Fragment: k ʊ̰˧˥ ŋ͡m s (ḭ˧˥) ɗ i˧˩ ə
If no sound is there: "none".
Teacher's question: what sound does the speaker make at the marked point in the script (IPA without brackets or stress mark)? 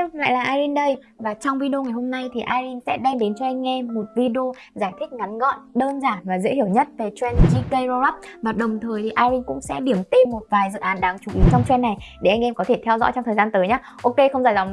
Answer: ɛ̰˧˥